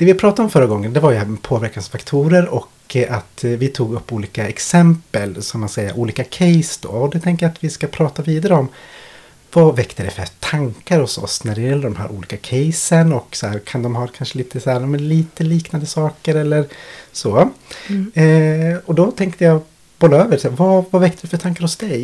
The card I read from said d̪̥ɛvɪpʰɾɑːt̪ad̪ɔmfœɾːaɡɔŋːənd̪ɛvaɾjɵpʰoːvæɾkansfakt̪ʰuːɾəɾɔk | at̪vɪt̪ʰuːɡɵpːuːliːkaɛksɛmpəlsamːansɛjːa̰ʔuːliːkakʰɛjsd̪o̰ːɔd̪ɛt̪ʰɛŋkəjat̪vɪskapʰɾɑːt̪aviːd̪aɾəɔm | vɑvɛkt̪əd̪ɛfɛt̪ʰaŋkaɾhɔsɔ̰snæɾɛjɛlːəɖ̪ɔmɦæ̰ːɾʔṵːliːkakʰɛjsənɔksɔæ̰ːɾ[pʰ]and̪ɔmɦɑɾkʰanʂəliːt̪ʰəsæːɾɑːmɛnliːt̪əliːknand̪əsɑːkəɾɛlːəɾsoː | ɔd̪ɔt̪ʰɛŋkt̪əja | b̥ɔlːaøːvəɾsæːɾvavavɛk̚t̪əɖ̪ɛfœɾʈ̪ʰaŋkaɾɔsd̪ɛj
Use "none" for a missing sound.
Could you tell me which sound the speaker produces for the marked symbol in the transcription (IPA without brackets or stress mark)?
kʰ